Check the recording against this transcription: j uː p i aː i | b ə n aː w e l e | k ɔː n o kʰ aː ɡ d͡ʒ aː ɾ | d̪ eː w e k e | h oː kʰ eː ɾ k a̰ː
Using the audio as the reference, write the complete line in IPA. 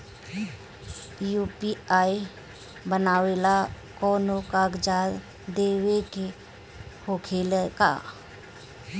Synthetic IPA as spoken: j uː p i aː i | b ə n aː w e l a | k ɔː n o k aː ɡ d͡ʒ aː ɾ | d̪ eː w e k e | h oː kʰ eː l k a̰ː